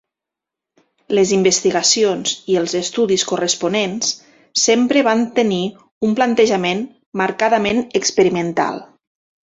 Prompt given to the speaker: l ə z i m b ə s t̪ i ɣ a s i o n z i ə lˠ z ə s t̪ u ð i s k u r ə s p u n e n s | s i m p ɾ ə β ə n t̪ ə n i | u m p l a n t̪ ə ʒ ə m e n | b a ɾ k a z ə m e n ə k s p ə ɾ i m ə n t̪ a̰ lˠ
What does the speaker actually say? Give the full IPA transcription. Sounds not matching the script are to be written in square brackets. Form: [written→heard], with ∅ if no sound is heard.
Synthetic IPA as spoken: l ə z i m b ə s t̪ i ɣ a s i o n z i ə lˠ z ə s t̪ u ð i s k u r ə s p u n e n s | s [i→e] m p ɾ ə β [ə→a] n t̪ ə n i | u m p l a n t̪ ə ʒ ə m e n | [b→m] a ɾ k a [z→ð] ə m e n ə k s p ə ɾ i m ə n t̪ a̰ lˠ

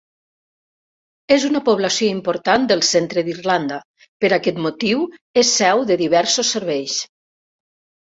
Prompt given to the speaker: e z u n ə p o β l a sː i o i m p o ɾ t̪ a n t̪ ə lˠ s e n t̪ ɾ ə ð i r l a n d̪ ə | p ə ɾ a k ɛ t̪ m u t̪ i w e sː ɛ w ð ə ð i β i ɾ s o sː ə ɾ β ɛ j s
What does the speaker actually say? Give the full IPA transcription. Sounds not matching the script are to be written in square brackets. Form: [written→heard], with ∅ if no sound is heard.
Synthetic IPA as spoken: e z u n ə p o β l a [sː→s] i o i m p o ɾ t̪ a n [t̪→d̪] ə lˠ s e n t̪ ɾ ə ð i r l a n d̪ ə | p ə ɾ a k ɛ t̪ m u t̪ i w e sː ɛ w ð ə ð i β [i→ɛ] ɾ s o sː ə ɾ β ɛ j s

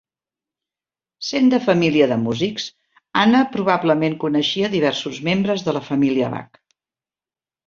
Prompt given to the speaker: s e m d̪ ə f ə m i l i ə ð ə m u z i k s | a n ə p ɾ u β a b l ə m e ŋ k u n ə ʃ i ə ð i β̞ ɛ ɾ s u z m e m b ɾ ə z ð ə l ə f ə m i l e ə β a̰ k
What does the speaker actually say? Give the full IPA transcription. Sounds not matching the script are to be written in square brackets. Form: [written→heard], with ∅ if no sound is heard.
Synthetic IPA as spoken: s e [m→n] d̪ ə f ə m i l i ə ð ə m u z i k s | a n ə p ɾ u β a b l ə m e ŋ k u n ə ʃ i ə ð i β̞ ɛ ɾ s u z m e m b ɾ ə z ð ə l ə f ə m i l [e→i] ə β a̰ k

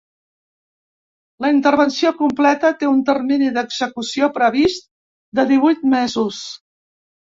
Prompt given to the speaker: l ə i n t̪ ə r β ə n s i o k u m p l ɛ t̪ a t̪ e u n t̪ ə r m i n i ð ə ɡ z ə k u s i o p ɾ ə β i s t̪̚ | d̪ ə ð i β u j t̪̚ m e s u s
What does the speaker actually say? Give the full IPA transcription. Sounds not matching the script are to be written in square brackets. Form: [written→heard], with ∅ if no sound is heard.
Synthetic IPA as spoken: l ə i n t̪ ə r β ə n s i o k u m p l ɛ t̪ [a→ə] t̪ e u n t̪ ə r m i n i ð ə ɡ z ə k u s i o p ɾ ə β i s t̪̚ | d̪ ə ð i β u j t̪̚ m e [s→z] u s

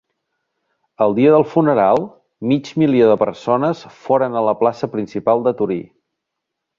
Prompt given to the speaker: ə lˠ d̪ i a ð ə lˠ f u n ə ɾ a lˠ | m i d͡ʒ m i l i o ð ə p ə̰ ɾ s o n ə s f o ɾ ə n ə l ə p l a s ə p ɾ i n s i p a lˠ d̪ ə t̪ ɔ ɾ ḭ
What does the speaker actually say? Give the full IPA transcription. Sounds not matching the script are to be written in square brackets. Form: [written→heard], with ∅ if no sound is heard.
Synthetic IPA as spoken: ə lˠ d̪ i [a→ə] ð ə lˠ f u n ə ɾ a lˠ | m i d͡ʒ m i l i o ð ə p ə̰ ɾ s o n ə s f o ɾ ə n ə l ə p l a s ə p ɾ i n s i p a lˠ d̪ ə t̪ [ɔ→u] ɾ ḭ

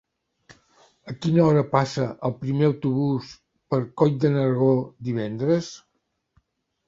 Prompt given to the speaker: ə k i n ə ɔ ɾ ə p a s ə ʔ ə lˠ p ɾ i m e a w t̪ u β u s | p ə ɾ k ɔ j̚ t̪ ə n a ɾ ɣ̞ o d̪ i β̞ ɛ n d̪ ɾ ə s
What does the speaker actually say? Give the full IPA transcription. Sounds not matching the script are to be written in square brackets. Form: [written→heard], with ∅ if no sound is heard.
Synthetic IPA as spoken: ə k i n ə ɔ ɾ ə p a s ə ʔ ə lˠ p ɾ i m e [a→ə] w t̪ u β u s | p ə ɾ k ɔ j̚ [t̪→d̪] ə n [a→ə] ɾ ɣ̞ o d̪ i β̞ ɛ n d̪ ɾ ə s

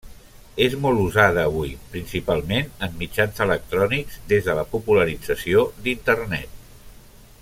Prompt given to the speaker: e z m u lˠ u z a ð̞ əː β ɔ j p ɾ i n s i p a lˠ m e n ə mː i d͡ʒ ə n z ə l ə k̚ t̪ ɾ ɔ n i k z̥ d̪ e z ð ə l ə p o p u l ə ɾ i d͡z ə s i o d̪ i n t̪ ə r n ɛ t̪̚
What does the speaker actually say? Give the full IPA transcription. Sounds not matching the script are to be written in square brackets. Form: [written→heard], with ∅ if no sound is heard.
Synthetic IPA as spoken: e z m [u→ɔ] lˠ u z a ð̞ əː β [ɔ→u] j p ɾ i n s i p a lˠ m e n ə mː i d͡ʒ [ə→a] n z ə l ə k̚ t̪ ɾ ɔ n i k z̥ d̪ e z ð ə l ə p [o→u] p u l ə ɾ i d͡z ə s i o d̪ i n t̪ ə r n ɛ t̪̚

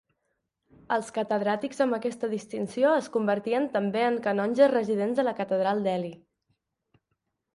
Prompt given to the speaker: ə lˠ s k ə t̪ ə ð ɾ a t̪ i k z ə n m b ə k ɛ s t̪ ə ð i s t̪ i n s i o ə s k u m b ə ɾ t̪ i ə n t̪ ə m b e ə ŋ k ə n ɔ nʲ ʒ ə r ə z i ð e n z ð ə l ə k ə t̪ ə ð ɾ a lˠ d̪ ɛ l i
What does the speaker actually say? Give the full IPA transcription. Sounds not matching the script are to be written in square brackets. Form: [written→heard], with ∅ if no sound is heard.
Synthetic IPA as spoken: ə lˠ s k ə t̪ ə ð ɾ a t̪ i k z ə [n→∅] m b ə k ɛ s t̪ ə ð i s t̪ i n s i o ə s k u m b ə ɾ t̪ i ə n t̪ ə m b e ə ŋ k ə n ɔ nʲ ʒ ə r ə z i ð e n z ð ə l ə k ə t̪ ə ð ɾ a lˠ d̪ ɛ l i

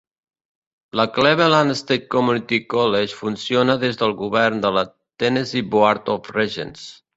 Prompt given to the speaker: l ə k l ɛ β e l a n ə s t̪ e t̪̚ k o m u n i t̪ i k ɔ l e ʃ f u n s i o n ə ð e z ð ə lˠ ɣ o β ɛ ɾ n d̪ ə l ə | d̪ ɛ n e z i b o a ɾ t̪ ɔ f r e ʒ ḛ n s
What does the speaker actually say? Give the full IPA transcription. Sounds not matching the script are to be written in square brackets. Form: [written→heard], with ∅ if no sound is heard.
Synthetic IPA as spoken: l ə k l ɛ β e l a n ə s t̪ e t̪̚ k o m u n i t̪ i k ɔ l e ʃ f u n s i o n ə ð e z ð ə lˠ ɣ [o→u] β ɛ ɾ n d̪ ə l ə | [d̪→t̪] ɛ n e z i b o a ɾ t̪ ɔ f r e ʒ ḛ n s

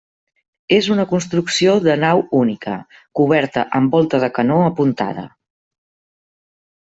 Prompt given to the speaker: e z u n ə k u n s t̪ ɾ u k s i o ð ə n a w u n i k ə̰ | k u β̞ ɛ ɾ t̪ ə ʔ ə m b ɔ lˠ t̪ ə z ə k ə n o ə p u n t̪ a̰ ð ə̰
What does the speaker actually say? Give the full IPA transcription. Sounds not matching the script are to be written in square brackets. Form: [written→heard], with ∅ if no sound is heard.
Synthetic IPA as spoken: e z u n ə k u n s t̪ ɾ u k s i o ð ə n a w u n i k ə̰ | k u β̞ ɛ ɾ t̪ ə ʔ ə m b ɔ lˠ t̪ ə [z→ð] ə k ə n o ə p u n t̪ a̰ ð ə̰

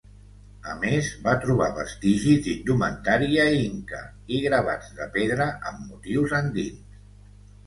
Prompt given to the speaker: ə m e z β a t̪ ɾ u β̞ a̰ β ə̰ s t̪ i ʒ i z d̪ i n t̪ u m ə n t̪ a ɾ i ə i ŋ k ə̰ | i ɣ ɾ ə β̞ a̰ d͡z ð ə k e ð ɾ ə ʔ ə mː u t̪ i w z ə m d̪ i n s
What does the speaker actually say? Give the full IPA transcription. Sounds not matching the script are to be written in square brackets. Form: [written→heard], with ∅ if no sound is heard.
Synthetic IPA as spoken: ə m e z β a t̪ ɾ u β̞ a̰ β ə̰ s t̪ i ʒ i z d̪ i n [t̪→d̪] u m ə n t̪ a ɾ i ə i ŋ k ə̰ | i ɣ ɾ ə β̞ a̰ d͡z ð ə [k→p] e ð ɾ ə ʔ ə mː u t̪ i w z ə [m→n] d̪ i n s

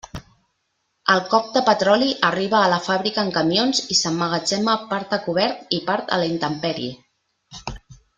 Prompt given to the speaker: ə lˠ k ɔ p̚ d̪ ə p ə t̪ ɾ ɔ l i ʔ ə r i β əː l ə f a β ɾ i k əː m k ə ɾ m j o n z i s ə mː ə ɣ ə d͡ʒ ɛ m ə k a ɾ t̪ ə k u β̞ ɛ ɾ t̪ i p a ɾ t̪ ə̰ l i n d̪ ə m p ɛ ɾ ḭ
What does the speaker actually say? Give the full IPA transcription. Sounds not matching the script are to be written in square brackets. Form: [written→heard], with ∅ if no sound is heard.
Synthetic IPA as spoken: ə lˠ k ɔ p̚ d̪ ə p ə t̪ ɾ ɔ l i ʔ ə r i β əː l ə f a β ɾ i k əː [m→ŋ] k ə [ɾ→∅] m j o n z i s ə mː ə ɣ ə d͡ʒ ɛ m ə [k→p] a ɾ t̪ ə k u β̞ ɛ ɾ t̪ i p a ɾ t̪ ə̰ l i n [d̪→t̪] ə m p ɛ ɾ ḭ

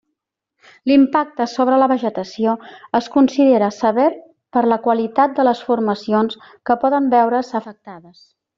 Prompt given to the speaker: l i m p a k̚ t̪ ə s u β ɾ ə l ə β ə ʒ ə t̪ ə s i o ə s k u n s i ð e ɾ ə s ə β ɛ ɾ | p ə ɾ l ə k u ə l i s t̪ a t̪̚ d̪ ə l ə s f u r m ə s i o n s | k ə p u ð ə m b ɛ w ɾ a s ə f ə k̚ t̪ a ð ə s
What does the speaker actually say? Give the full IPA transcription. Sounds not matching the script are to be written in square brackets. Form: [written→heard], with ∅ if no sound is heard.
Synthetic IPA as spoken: l i m p a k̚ t̪ ə s [u→o] β ɾ ə l ə β ə ʒ ə t̪ ə s i o ə s k u n s i ð e ɾ ə s ə β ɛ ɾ | p ə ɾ l ə k [u→w] ə l i [s→∅] t̪ a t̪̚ d̪ ə l ə s f u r m ə s i o n s | k ə p [u→ɔ] ð ə m b ɛ w ɾ [a→ə] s ə f ə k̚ t̪ a ð ə s

